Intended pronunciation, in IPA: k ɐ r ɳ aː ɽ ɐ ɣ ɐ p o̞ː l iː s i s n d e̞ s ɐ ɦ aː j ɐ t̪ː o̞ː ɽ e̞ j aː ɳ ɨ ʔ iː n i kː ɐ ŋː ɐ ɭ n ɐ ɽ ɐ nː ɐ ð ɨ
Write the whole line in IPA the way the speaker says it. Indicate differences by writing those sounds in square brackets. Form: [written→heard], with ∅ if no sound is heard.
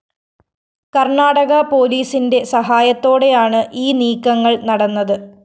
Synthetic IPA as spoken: k ɐ r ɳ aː ɽ ɐ ɣ ɐ p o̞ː l iː s i [s→∅] n d e̞ s ɐ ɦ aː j ɐ t̪ː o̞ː ɽ e̞ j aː ɳ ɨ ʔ iː n [i→iː] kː ɐ ŋː ɐ ɭ n ɐ ɽ ɐ nː ɐ ð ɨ